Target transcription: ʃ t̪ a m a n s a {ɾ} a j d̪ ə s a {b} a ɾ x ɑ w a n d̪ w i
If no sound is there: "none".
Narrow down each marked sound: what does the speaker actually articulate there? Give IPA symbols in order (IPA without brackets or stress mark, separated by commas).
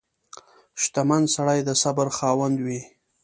ɽ, b